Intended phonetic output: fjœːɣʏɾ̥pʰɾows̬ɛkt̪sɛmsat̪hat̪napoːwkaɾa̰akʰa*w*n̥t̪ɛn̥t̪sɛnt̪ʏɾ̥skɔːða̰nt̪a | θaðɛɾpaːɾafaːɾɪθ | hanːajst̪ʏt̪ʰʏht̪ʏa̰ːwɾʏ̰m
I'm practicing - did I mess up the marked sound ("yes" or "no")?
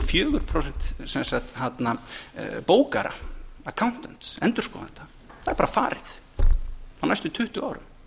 no